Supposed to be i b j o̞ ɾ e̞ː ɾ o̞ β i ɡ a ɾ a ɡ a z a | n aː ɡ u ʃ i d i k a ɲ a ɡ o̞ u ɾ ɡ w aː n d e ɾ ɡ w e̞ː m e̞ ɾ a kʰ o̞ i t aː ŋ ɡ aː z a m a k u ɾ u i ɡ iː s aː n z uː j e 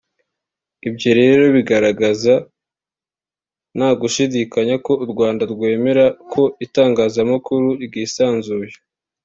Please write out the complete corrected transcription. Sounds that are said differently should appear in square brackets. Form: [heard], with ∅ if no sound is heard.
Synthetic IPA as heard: i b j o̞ ɾ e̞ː ɾ o̞ β i ɡ a ɾ a ɡ a z a | n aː ɡ u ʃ i d i k a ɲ a [k] o̞ u ɾ ɡ w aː n d [a] ɾ ɡ w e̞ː m e̞ ɾ a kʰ o̞ i t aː ŋ ɡ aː z a m a k u ɾ u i ɡ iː s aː n z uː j e